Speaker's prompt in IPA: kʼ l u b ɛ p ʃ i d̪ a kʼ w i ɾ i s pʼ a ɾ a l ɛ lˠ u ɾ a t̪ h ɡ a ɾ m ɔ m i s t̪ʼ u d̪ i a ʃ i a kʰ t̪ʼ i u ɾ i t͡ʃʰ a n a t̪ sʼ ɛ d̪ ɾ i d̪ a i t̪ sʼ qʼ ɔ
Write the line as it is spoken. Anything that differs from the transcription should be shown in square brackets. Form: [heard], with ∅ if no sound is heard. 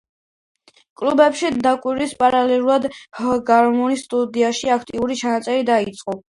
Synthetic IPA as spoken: kʼ l u b ɛ p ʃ i d̪ a kʼ w i ɾ i s pʼ a ɾ a l ɛ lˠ u ɾ a [d̪] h ɡ a ɾ m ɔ [n] i s t̪ʼ u d̪ i a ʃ i a kʰ t̪ʼ i u ɾ i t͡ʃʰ a n a t̪ sʼ ɛ [∅] ɾ i d̪ a i t̪ sʼ qʼ ɔ